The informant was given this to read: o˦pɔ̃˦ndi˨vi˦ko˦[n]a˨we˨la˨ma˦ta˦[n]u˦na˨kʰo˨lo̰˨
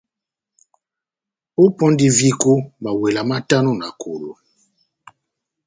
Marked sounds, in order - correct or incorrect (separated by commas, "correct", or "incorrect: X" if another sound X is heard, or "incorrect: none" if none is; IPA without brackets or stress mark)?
incorrect: m, correct